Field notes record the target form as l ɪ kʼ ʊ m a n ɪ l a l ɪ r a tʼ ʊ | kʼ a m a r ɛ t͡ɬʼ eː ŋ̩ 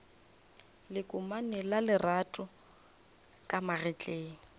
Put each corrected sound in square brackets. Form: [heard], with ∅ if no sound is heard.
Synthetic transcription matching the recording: l ɪ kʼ ʊ m a n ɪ l a l ɪ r a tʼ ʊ | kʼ a m a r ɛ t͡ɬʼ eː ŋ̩